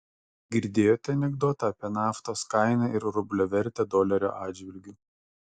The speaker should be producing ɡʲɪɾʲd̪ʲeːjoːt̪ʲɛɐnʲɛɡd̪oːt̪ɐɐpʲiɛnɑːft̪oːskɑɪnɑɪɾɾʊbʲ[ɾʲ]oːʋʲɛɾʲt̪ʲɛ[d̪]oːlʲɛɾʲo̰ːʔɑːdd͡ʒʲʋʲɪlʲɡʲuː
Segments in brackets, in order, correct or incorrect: incorrect, correct

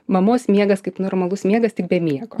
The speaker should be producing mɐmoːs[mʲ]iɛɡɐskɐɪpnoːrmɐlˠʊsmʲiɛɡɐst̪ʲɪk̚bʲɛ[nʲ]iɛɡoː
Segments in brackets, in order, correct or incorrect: correct, incorrect

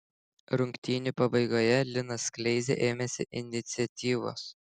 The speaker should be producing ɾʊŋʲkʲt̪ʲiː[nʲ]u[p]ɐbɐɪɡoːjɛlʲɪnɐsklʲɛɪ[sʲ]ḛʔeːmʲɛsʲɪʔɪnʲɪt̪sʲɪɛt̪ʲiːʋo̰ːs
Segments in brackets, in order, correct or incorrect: correct, correct, incorrect

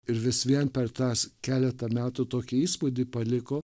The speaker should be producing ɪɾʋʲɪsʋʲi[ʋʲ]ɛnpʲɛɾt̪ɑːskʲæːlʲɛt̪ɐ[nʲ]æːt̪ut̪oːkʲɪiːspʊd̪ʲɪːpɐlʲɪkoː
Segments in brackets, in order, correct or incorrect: incorrect, incorrect

